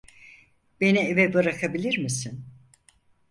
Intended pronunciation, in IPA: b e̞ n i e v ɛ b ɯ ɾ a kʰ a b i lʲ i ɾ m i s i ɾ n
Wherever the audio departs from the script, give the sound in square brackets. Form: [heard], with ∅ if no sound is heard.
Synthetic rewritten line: b e̞ n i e v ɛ b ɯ ɾ a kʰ a b i lʲ i ɾ m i s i [∅] n